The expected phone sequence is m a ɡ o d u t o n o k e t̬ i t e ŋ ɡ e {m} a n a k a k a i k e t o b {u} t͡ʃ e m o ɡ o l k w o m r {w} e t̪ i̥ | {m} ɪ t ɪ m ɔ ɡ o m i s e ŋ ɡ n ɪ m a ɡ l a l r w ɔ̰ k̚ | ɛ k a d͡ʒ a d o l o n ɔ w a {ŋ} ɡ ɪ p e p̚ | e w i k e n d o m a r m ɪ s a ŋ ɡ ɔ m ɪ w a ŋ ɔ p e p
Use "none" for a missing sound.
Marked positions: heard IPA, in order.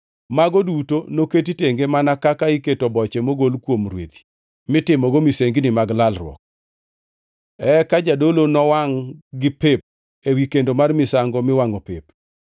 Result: m, ɔ, w, m, ŋ

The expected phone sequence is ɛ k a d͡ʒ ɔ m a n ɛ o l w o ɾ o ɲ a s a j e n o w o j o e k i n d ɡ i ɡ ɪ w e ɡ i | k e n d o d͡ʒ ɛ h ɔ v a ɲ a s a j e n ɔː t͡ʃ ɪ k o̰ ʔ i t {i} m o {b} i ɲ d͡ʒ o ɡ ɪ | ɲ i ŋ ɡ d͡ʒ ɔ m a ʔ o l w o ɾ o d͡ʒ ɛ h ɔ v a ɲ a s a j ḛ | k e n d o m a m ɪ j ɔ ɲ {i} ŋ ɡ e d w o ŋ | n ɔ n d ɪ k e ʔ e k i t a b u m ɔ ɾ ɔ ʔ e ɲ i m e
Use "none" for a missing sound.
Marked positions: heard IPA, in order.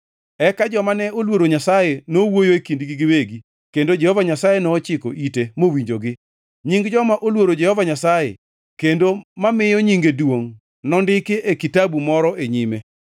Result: e, w, i

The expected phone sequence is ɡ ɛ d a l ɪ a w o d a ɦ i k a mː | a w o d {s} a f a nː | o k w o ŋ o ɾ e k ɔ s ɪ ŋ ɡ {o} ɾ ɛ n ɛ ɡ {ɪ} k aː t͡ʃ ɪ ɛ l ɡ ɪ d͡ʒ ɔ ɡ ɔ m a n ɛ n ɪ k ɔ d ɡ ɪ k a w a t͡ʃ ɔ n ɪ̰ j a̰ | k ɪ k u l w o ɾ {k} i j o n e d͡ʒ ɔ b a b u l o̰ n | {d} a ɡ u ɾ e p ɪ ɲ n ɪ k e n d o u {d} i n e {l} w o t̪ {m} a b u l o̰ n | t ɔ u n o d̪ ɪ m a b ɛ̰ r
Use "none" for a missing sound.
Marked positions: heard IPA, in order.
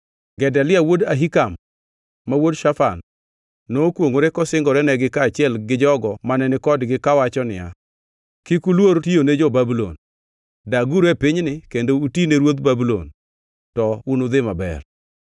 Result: ʃ, ɔ, ɪ, t, d, t, ɾ, b

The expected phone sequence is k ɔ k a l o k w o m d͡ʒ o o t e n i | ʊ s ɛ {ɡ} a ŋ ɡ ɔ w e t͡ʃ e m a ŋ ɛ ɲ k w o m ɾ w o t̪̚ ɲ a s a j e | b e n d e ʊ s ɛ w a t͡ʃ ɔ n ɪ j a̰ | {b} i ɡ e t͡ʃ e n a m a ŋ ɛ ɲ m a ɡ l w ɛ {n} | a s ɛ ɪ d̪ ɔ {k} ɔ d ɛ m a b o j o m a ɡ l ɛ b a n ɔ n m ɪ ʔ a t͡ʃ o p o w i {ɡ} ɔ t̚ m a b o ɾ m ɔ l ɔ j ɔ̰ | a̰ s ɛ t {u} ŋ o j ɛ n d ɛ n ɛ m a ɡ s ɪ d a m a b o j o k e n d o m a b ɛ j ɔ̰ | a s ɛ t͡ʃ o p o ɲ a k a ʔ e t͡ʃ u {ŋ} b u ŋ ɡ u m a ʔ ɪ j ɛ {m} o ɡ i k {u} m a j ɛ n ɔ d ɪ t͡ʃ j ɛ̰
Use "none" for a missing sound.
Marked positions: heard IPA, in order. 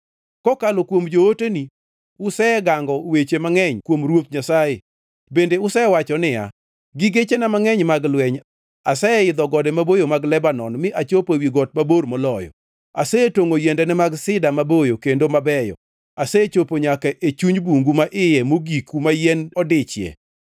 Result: ɡ, ɡ, ɲ, ɡ, ɡ, o, ɲ, m, u

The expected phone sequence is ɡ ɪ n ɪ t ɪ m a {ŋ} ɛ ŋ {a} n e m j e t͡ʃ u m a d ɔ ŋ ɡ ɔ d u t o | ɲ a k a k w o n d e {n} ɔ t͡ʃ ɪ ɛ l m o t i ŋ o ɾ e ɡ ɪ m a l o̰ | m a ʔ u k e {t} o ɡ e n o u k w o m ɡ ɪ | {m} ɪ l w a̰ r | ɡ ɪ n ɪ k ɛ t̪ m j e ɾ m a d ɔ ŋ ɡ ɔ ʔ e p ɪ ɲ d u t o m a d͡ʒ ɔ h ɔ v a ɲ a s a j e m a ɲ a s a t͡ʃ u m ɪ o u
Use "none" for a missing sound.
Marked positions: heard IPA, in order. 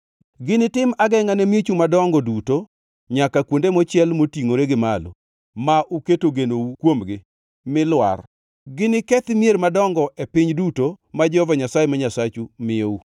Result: ɡ, a, m, t, m

